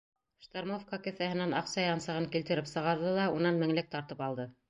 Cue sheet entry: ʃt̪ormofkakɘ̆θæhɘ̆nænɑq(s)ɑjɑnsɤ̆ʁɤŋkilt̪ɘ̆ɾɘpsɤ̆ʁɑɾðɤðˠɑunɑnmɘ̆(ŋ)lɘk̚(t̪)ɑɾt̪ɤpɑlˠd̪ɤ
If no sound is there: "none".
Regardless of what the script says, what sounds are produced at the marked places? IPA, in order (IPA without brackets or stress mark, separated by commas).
s, ŋ, t̪